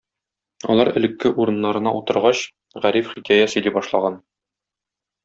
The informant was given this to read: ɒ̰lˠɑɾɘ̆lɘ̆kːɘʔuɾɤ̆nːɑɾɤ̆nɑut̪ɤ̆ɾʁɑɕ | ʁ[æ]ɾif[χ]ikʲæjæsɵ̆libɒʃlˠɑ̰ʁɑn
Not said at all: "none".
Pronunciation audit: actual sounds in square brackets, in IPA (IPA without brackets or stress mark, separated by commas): æ, χ